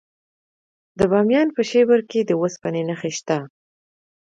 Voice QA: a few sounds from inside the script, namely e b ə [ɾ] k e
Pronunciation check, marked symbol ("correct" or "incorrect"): correct